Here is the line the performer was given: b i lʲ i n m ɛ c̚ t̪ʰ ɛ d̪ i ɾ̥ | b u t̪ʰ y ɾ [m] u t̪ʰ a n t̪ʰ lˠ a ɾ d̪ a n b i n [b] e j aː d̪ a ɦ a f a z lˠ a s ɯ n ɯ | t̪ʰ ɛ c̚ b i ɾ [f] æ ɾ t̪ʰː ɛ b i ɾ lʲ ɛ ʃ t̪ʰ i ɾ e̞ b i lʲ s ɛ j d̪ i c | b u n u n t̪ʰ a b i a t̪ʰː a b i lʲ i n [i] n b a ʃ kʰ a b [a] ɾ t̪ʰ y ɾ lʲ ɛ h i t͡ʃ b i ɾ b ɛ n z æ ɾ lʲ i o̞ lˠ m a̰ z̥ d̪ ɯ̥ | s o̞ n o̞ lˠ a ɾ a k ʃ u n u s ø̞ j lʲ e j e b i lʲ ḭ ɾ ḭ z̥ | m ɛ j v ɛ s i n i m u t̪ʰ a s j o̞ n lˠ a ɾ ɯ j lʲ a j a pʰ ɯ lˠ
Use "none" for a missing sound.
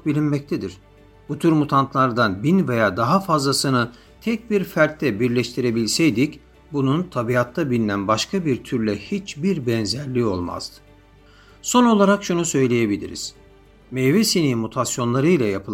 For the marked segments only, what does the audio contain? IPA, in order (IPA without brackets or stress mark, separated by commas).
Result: m, v, f, æ, i